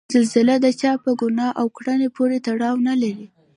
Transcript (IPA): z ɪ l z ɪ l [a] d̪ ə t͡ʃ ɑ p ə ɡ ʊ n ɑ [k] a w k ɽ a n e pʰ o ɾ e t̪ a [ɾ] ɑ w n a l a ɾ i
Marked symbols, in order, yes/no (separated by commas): yes, no, no